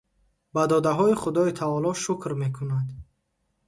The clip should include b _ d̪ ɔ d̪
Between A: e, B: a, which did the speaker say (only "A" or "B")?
B